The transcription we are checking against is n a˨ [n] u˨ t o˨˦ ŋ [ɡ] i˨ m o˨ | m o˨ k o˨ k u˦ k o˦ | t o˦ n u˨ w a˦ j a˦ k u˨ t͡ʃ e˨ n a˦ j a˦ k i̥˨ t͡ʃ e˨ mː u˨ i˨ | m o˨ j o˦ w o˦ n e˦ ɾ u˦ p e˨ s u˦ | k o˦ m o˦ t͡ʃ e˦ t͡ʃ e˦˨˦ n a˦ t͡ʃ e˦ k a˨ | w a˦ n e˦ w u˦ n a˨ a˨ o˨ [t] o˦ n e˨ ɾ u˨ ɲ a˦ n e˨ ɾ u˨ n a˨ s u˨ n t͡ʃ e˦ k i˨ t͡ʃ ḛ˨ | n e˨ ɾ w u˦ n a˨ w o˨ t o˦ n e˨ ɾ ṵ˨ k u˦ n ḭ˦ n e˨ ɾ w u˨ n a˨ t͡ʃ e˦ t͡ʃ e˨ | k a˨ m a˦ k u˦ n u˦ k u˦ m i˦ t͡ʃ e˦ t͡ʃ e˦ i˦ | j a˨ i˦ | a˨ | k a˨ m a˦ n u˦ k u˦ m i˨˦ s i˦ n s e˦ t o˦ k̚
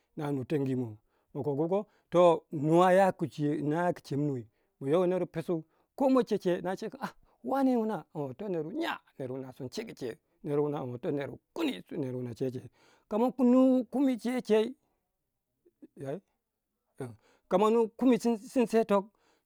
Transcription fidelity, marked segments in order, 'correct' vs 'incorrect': correct, correct, correct

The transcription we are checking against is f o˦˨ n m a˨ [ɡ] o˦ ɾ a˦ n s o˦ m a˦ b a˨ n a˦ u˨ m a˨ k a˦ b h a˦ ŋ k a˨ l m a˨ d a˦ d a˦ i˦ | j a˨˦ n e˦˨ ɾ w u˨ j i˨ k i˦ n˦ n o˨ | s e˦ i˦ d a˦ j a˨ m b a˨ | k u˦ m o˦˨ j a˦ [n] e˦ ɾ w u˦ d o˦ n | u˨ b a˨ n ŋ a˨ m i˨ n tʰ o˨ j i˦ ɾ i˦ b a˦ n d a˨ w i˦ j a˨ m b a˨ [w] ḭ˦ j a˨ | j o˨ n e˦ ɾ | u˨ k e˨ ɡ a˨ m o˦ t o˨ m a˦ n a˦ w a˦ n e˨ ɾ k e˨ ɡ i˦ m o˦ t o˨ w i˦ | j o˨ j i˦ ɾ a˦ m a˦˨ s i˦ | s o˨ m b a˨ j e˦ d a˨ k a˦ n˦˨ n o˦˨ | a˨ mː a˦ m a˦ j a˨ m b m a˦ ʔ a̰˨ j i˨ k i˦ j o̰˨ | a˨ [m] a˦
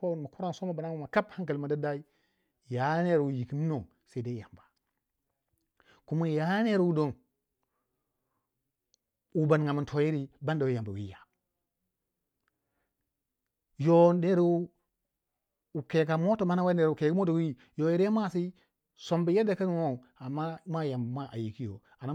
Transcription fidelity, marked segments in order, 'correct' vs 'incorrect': incorrect, correct, correct, incorrect

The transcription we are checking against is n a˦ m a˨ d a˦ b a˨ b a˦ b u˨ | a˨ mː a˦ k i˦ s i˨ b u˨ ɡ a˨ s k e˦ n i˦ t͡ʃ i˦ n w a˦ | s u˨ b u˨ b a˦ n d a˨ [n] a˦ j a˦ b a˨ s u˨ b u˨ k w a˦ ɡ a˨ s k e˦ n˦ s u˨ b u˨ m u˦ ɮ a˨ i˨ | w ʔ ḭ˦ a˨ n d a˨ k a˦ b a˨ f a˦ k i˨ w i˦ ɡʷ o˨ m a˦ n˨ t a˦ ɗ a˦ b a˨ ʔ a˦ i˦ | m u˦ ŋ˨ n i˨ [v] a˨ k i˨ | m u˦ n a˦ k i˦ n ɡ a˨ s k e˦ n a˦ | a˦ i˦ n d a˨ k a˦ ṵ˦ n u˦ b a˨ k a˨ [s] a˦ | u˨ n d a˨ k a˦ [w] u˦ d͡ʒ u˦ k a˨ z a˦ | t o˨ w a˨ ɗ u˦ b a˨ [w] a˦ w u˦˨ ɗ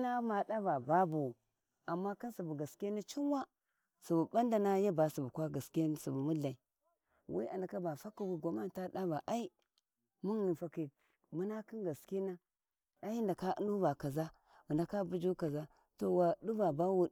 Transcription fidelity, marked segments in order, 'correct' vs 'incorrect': correct, incorrect, incorrect, incorrect, incorrect

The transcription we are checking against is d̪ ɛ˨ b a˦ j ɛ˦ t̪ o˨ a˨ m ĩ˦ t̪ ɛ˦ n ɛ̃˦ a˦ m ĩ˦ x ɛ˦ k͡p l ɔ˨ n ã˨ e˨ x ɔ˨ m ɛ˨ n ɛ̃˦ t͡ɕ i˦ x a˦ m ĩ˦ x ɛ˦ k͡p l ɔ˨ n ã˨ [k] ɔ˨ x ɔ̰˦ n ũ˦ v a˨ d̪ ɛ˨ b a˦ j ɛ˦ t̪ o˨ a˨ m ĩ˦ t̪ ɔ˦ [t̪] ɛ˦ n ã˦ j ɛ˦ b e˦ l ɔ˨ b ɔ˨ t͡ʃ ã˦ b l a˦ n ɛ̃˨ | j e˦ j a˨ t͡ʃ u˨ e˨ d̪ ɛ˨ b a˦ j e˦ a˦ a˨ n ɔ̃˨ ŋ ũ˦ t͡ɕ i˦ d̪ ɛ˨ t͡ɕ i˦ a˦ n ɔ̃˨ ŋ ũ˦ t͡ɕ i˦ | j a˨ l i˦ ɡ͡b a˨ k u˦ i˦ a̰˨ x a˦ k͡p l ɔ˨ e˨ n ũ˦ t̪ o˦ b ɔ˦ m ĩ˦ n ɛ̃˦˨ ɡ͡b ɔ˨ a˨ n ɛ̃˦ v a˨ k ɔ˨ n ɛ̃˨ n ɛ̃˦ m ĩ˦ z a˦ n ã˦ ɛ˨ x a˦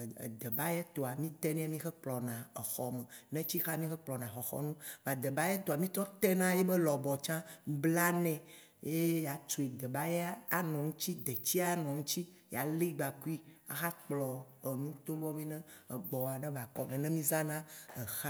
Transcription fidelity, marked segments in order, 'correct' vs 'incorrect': incorrect, correct

